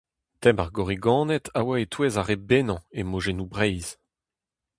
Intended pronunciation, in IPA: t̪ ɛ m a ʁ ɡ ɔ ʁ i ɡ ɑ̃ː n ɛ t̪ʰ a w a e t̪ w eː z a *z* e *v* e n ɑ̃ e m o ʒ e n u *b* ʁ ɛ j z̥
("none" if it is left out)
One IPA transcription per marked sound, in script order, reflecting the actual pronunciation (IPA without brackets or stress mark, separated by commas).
ʁ, b, b